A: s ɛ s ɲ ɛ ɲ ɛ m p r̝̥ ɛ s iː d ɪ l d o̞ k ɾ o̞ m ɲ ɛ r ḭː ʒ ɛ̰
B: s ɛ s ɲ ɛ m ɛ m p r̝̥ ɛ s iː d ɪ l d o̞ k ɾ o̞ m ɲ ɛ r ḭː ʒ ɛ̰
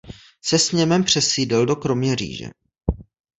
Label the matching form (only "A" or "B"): B